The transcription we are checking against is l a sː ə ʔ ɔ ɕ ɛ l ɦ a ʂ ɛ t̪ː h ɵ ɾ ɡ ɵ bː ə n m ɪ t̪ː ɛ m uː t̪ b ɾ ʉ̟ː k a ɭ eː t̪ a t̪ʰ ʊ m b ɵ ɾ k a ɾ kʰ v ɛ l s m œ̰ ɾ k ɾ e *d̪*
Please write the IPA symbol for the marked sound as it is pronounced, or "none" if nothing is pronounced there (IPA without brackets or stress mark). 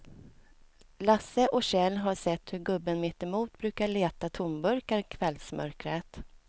t̪